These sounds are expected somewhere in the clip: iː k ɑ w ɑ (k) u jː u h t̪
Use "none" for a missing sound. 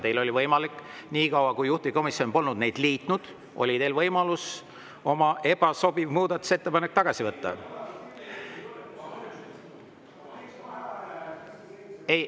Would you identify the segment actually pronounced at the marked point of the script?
k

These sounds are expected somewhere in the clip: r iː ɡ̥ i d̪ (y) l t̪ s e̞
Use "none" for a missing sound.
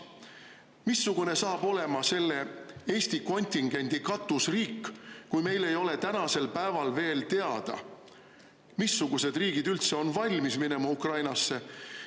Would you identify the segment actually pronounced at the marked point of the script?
y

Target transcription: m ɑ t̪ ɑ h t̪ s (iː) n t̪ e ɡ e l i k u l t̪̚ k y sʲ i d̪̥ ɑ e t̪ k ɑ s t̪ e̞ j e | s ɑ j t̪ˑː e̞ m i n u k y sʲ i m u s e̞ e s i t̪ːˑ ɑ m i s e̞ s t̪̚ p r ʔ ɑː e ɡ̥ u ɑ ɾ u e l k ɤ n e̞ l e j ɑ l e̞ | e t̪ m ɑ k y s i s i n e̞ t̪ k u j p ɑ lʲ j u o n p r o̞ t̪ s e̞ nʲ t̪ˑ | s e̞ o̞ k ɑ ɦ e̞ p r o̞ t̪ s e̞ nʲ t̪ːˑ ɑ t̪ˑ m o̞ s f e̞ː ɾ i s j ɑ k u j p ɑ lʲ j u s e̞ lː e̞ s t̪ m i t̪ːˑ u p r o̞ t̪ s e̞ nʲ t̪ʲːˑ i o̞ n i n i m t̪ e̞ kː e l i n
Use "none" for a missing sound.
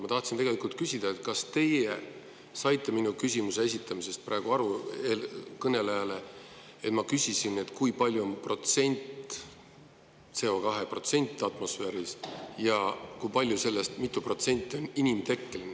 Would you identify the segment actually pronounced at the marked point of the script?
i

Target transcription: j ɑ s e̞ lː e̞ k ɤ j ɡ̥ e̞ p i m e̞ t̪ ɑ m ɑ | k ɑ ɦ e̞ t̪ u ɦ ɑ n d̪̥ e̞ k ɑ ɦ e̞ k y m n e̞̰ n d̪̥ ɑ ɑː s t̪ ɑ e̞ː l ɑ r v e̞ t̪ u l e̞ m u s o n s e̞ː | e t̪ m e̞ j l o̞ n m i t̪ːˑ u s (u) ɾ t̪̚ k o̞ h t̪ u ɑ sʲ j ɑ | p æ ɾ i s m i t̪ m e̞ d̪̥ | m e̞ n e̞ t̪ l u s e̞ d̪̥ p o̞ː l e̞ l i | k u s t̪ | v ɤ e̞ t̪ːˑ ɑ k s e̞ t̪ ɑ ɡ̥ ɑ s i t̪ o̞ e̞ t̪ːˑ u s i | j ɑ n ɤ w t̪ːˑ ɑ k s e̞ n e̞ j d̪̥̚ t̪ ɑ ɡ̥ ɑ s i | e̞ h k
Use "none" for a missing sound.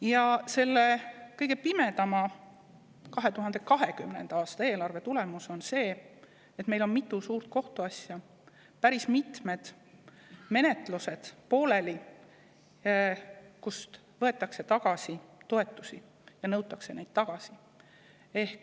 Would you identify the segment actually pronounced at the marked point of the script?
uː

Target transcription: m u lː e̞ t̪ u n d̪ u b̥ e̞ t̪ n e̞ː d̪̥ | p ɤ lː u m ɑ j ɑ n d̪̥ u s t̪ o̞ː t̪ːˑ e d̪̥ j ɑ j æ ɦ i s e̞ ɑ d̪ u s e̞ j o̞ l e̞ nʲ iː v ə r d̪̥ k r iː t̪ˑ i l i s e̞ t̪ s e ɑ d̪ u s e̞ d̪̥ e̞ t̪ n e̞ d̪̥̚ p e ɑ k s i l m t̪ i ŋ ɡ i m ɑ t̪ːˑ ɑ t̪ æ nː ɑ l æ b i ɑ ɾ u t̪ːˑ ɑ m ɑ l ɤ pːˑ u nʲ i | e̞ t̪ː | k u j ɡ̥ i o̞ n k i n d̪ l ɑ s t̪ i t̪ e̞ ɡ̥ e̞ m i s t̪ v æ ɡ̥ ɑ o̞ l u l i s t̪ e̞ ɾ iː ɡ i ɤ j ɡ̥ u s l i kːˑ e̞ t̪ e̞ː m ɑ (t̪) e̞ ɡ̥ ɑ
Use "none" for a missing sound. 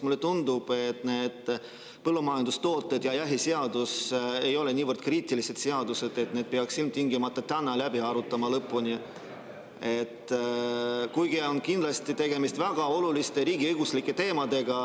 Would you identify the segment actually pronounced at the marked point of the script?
d̪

